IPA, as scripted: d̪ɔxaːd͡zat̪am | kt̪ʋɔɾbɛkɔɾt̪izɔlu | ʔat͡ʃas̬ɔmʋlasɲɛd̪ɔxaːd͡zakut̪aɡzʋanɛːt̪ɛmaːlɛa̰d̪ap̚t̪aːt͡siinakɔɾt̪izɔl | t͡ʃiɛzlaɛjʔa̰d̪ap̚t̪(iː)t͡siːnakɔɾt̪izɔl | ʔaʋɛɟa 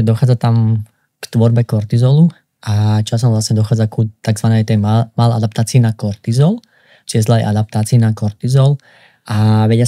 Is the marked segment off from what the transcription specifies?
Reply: yes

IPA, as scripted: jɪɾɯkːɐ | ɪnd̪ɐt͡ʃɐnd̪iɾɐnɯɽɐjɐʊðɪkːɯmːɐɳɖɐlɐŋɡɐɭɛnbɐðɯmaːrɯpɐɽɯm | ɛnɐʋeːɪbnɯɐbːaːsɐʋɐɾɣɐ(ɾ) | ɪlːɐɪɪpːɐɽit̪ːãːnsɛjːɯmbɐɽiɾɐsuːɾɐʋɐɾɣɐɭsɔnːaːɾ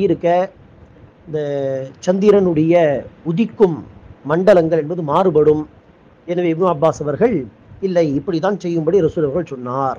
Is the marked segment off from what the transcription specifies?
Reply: yes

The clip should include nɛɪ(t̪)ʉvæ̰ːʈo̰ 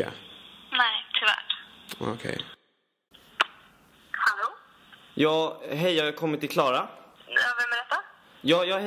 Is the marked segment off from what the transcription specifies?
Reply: yes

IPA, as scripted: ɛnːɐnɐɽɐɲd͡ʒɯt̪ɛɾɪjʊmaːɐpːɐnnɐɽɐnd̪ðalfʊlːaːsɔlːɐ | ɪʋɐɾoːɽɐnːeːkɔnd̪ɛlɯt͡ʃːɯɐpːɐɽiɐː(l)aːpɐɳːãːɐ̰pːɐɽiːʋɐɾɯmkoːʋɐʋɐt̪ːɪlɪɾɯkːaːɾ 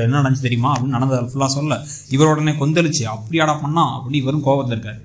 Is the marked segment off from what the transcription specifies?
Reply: yes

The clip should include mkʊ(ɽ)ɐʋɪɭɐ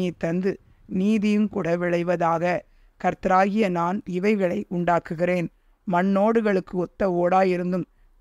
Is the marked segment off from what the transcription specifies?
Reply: no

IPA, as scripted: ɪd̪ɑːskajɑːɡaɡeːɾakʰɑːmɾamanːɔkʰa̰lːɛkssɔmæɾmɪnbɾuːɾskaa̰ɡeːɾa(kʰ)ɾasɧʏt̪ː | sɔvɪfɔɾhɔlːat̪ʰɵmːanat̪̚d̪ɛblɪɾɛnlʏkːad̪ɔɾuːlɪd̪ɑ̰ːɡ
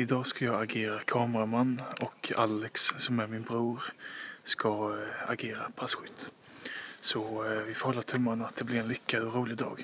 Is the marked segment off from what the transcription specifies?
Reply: yes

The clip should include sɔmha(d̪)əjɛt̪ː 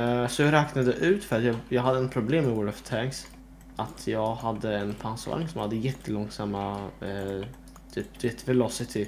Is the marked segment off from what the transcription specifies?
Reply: yes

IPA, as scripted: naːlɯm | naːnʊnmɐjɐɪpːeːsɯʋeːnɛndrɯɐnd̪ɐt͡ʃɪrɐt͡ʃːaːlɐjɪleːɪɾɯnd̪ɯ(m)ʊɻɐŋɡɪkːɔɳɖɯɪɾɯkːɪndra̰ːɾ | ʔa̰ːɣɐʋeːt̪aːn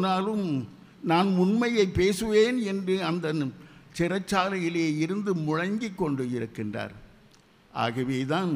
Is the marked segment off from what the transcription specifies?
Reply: no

